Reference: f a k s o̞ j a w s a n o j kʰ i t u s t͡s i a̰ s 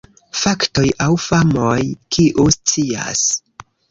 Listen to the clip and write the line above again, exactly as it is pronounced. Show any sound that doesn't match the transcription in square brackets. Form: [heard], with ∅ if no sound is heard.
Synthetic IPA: f a k [t] o̞ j a w [f] a [m] o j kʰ i [ʔ] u s t͡s i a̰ s

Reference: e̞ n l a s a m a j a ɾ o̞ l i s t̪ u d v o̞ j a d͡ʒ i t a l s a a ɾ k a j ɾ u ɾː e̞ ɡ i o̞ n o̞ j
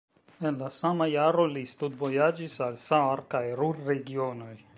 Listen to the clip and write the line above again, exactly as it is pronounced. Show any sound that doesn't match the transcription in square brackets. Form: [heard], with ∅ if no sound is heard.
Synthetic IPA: e̞ n l a s a m a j a ɾ o̞ l i s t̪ u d v o̞ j a d͡ʒ i [s] a l s a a ɾ k a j ɾ u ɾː e̞ ɡ i o̞ n o̞ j

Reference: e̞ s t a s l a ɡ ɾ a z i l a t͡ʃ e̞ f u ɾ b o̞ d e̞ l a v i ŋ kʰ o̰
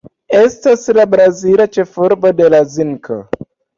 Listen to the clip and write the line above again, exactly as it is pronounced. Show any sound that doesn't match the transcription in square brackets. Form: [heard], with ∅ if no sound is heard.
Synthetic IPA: e̞ s t a s l a [b] ɾ a z i l a t͡ʃ e̞ f u ɾ b o̞ d e̞ l a [z] i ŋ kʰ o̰

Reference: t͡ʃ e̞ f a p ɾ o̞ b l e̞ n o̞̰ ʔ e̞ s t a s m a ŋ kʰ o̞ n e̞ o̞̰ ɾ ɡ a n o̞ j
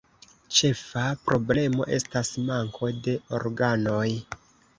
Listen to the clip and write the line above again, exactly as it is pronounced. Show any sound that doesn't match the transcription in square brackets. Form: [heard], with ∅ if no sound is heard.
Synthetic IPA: t͡ʃ e̞ f a p ɾ o̞ b l e̞ [m] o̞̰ ʔ e̞ s t a s m a ŋ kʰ o̞ [d] e̞ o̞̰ ɾ ɡ a n o̞ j

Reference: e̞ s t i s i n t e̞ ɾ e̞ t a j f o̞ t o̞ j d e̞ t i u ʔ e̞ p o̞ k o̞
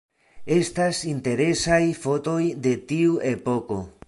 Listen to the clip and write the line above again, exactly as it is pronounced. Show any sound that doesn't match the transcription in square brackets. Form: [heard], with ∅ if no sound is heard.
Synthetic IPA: e̞ s t [a] s i n t e̞ ɾ e̞ [s] a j f o̞ t o̞ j d e̞ t i u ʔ e̞ p o̞ k o̞

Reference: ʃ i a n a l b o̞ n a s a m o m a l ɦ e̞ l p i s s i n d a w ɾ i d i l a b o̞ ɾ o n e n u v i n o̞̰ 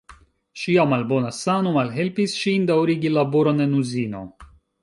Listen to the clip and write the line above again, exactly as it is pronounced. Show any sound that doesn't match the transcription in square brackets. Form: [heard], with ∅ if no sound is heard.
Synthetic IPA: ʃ i a [m] a l b o̞ n a s a [n] o m a l ɦ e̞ l p i s [ʃ] i n d a w ɾ i [ɡ] i l a b o̞ ɾ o n e n u [z] i n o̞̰

